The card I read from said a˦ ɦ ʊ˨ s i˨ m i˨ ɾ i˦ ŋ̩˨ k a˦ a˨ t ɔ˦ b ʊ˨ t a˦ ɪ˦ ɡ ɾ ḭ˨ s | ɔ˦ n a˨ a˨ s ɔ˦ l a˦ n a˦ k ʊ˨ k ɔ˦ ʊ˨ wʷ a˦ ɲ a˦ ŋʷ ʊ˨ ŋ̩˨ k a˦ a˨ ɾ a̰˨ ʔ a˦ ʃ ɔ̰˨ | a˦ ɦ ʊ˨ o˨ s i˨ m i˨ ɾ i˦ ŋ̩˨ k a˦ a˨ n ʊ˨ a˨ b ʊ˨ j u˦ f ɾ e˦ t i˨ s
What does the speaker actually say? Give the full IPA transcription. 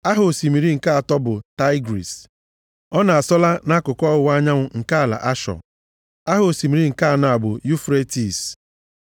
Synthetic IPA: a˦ ɦ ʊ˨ s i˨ m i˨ ɾ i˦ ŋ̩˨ k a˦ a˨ t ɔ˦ b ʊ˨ t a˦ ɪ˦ ɡ ɾ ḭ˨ s | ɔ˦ n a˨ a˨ s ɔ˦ l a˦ n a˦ k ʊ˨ k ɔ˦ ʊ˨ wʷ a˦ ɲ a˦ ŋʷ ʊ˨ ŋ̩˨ k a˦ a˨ l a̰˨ ʔ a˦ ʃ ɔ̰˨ | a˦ ɦ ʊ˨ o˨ s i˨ m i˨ ɾ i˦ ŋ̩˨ k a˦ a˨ n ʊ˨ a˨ b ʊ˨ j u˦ f ɾ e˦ t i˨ s